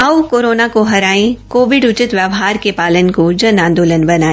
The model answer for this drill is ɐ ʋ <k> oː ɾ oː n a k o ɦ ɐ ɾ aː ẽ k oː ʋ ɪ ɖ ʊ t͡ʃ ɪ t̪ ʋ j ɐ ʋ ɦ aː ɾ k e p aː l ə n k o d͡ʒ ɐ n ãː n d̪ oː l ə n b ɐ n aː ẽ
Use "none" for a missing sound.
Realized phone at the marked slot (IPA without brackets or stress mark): k